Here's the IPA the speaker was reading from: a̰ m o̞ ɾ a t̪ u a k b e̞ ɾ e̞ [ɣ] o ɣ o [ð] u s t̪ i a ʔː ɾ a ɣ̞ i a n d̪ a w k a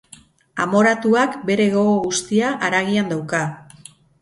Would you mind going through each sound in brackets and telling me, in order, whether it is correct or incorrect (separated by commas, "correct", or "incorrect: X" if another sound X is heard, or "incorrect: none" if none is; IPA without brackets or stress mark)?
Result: correct, incorrect: ɣ